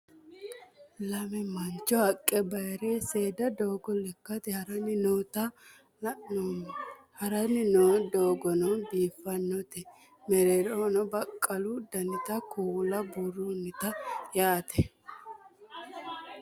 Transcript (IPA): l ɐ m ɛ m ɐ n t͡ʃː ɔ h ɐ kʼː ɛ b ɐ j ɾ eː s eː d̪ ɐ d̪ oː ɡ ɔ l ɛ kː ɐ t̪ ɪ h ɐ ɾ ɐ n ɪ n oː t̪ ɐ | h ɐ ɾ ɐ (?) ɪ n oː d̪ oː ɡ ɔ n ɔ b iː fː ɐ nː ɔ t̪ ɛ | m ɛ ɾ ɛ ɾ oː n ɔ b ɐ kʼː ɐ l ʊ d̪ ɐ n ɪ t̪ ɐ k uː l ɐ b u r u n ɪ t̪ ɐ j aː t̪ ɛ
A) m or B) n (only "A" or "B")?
B